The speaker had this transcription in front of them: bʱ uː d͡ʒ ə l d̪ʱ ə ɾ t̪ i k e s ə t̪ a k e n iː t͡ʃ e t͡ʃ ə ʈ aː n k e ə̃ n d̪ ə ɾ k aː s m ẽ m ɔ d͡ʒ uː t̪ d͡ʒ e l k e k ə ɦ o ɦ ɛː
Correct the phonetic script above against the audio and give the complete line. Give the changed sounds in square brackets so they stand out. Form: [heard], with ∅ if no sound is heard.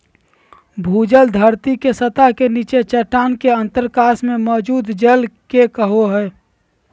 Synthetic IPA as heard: bʱ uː d͡ʒ ə l d̪ʱ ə ɾ t̪ i k e s ə t̪ a k e n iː t͡ʃ e t͡ʃ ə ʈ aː n k e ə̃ n [t̪] ə ɾ k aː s m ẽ m ɔ d͡ʒ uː [d̪] d͡ʒ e l k e k ə ɦ o ɦ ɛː